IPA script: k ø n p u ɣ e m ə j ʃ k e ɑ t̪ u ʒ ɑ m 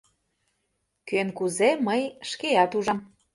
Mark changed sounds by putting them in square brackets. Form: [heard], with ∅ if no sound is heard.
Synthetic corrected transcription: k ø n [k] u [z] e m ə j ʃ k e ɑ t̪ u ʒ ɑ m